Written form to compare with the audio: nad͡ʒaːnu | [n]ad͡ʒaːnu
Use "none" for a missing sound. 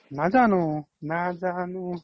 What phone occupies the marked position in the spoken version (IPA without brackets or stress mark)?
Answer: n